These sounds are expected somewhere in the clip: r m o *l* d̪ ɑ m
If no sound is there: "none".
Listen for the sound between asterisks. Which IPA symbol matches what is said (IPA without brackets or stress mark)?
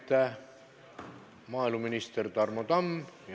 none